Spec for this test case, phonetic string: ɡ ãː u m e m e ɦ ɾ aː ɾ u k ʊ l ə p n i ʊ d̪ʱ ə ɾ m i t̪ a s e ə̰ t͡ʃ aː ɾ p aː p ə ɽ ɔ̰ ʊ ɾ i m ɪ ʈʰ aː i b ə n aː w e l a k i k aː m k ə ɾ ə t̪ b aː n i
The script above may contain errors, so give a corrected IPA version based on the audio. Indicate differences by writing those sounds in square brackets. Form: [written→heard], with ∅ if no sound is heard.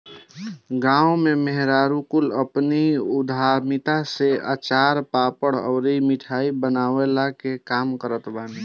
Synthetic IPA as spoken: ɡ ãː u m e m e ɦ ɾ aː ɾ u k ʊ l ə p n i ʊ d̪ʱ [ə→a] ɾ m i t̪ a s e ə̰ t͡ʃ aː ɾ p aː p ə ɽ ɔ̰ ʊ ɾ i m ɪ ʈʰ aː i b ə n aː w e l a k [i→e] k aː m k ə ɾ ə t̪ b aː n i